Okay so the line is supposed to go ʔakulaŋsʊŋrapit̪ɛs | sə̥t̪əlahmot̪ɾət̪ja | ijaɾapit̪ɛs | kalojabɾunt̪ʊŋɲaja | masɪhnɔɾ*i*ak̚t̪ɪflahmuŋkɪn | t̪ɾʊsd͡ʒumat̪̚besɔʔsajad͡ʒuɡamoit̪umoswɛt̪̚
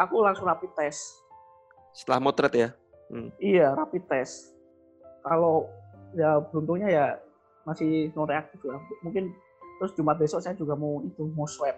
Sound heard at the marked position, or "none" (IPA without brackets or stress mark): e